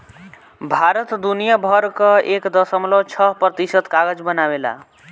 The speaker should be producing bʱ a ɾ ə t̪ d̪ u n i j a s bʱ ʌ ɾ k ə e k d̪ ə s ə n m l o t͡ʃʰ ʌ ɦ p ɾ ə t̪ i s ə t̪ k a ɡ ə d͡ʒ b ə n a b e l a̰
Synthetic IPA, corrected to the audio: bʱ a ɾ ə t̪ d̪ u n i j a bʱ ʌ ɾ k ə e k d̪ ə s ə m l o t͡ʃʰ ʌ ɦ p ɾ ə t̪ i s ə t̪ k a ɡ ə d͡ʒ b ə n a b e l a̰